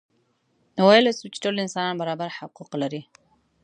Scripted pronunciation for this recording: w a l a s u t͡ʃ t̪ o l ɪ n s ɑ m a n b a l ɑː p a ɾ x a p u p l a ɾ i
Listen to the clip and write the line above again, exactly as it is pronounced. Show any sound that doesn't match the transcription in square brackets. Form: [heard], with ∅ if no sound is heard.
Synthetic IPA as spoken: w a l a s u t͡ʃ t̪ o l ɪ n s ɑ [n] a n b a [ɾ] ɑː [b] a ɾ [ħ] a [q] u [q] l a ɾ i